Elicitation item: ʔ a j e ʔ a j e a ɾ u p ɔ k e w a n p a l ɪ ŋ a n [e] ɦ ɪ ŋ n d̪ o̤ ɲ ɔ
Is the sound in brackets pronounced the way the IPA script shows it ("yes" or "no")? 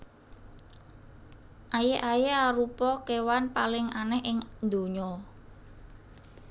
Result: no